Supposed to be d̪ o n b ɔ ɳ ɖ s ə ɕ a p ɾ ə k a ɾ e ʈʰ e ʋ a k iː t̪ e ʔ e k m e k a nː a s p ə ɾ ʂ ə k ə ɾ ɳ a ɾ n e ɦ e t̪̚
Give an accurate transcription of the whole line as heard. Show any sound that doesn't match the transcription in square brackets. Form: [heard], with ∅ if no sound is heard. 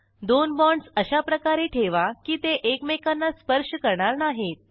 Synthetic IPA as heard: d̪ o n b ɔ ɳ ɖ s ə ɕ a p ɾ ə k a ɾ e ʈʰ e ʋ a k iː t̪ e ʔ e k m e k a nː a s p ə ɾ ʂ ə k ə ɾ ɳ a ɾ n [a] ɦ e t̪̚